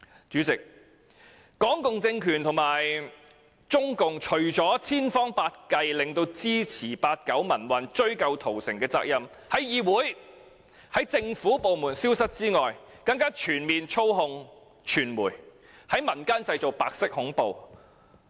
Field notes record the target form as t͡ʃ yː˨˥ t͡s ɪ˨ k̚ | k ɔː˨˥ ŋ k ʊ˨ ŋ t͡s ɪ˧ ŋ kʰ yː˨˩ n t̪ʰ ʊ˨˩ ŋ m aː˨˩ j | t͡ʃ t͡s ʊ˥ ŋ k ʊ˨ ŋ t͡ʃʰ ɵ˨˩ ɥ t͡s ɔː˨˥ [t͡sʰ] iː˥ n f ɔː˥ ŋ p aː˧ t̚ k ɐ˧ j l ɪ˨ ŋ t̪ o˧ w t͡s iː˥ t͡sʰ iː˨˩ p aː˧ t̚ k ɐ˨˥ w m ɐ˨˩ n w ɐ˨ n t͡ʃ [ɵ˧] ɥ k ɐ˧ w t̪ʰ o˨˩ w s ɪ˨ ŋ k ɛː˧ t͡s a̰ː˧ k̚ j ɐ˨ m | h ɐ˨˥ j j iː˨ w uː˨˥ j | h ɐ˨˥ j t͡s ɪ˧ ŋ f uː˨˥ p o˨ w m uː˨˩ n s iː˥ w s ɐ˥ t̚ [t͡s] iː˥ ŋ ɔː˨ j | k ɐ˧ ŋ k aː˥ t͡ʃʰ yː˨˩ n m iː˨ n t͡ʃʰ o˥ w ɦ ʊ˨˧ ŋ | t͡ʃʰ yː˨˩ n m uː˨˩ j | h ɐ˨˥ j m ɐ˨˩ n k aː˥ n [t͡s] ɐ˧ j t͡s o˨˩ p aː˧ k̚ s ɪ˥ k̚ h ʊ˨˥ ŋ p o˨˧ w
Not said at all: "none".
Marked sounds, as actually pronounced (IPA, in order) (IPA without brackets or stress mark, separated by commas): t͡sʰ, ɵ˥, t͡s, t͡s